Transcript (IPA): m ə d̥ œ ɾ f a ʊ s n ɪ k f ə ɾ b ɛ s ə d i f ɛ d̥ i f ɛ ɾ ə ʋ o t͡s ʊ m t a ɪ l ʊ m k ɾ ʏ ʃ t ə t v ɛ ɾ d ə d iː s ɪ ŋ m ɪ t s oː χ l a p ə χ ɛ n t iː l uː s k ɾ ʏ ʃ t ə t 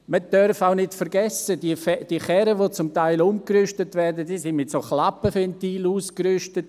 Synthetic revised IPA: m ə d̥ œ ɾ f a ʊ n ɪ t f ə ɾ ɡ ɛ s ə d i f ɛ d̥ i χ ɛ ɾ ə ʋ o t͡s ʊ m t a ɪ l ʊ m k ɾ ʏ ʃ t ə t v ɛ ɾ d ə d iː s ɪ n m ɪ t s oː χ l a p ə f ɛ n t iː l uː s k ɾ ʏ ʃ t ə t